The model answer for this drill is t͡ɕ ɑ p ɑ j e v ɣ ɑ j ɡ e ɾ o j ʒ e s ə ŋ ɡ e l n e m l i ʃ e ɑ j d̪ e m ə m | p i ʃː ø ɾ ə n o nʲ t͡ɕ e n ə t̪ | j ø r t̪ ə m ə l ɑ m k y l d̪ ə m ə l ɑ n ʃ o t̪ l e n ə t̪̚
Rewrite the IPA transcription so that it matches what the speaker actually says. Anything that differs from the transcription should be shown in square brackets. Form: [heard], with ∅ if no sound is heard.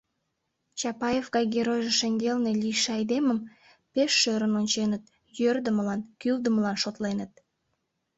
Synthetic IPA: t͡ɕ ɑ p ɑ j e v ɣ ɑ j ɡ e ɾ o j ʒ e [ʃ] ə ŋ ɡ e l n e [∅] l i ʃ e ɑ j d̪ e m ə m | p [e] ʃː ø ɾ ə n o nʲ t͡ɕ e n ə t̪ | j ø r [d̪] ə m ə l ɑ [n] k y l d̪ ə m ə l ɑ n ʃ o t̪ l e n ə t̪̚